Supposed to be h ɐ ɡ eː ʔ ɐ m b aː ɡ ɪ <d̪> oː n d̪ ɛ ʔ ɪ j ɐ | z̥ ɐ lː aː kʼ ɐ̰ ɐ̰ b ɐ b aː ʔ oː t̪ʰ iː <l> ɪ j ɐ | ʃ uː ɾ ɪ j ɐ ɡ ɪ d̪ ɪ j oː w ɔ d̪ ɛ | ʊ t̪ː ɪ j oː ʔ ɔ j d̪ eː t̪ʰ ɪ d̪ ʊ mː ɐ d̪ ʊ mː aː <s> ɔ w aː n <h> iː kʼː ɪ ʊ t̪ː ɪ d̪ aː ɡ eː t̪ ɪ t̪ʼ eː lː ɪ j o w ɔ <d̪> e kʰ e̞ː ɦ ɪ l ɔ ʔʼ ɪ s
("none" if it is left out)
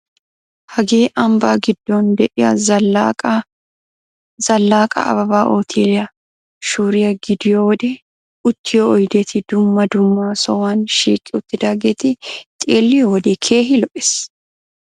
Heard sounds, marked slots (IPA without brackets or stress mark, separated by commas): d̪ː, l, s, ʃ, d̪